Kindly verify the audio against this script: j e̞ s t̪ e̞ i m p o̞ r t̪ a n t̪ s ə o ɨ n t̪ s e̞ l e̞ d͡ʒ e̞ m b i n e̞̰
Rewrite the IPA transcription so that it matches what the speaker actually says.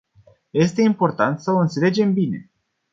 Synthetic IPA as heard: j e̞ s t̪ e̞ i m p o̞ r t̪ a n t̪ s ə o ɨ n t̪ s e̞ l e̞ d͡ʒ e̞ m b i n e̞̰